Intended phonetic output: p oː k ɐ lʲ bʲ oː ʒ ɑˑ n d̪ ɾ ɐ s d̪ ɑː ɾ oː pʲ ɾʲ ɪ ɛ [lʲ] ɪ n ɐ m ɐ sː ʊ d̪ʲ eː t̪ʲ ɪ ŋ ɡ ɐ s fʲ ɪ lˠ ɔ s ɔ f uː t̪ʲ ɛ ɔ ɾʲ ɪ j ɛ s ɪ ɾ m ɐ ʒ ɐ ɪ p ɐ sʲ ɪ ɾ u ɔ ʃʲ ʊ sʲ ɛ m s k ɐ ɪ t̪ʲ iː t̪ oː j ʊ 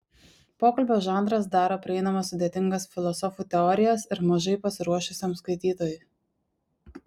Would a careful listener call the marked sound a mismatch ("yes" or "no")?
yes